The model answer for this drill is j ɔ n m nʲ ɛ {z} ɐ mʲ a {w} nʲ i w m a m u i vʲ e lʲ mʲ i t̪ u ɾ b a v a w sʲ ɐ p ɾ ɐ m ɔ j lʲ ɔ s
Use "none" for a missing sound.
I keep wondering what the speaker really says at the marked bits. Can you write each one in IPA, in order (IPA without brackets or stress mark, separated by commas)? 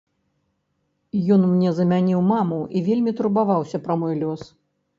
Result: z, none